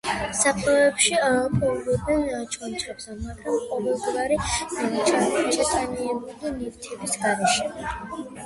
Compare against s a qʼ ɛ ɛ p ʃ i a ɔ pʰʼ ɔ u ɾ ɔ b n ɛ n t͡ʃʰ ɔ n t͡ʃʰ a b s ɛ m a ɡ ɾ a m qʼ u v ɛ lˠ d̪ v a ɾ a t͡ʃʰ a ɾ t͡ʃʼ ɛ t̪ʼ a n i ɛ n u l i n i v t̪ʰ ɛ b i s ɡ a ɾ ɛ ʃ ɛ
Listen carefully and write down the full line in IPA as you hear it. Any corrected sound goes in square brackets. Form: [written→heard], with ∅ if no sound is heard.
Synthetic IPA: s a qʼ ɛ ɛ p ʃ i a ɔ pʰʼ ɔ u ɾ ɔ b n ɛ n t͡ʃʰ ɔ n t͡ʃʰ a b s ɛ m a ɡ ɾ a m qʼ [u→ɔ] v ɛ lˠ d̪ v a ɾ [a→i] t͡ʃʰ a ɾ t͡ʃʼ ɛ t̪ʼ a n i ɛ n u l i n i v t̪ʰ ɛ b i s ɡ a ɾ ɛ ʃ ɛ